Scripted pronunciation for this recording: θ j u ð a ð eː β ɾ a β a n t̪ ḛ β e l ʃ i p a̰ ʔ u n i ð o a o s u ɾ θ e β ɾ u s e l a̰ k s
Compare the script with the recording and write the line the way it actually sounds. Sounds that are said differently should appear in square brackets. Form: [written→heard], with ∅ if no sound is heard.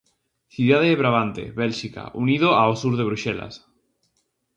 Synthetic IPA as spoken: θ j u ð a ð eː β ɾ a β a n t̪ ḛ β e l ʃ i [p→k] a̰ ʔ u n i ð o a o s u ɾ [θ→ð] e β ɾ u [s→ʃ] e l a̰ [k→∅] s